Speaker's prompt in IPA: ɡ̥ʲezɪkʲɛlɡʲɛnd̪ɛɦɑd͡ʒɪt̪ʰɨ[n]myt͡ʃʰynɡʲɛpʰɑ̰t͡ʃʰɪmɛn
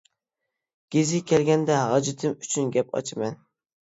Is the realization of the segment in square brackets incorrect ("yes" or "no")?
yes